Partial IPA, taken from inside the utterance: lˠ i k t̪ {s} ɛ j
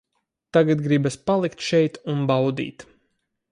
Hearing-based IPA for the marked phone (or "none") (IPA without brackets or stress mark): ʃ